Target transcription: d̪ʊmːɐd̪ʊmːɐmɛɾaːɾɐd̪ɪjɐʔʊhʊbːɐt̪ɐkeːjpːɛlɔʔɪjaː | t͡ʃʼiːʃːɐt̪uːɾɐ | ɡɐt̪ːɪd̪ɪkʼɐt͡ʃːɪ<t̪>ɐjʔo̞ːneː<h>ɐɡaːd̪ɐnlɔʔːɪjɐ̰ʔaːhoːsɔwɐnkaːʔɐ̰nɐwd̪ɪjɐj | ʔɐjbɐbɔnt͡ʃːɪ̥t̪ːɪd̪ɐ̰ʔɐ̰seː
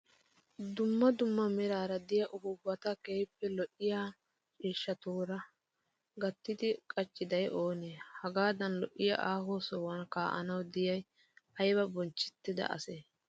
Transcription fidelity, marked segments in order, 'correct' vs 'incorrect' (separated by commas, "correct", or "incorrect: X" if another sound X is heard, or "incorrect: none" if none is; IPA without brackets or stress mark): incorrect: d̪, correct